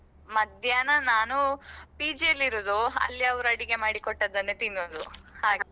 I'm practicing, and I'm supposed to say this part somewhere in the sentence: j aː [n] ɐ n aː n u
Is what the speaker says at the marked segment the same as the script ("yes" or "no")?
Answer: yes